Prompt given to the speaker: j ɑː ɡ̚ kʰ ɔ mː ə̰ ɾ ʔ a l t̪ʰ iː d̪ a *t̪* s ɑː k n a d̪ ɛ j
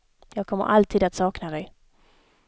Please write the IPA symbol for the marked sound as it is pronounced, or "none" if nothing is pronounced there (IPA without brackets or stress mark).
t̪